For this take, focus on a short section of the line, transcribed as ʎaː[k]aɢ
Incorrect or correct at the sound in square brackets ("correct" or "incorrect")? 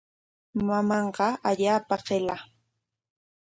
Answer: incorrect